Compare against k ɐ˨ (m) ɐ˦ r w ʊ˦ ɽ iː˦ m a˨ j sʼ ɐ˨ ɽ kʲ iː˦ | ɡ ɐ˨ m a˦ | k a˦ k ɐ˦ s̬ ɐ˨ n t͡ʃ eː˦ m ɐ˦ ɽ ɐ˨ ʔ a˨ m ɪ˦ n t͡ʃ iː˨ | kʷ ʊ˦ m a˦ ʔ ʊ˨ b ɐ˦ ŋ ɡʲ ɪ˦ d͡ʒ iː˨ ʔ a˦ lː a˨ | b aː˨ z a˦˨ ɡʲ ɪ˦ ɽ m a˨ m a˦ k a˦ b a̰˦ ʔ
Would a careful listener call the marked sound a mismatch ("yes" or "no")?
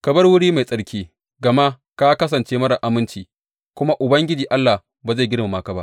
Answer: yes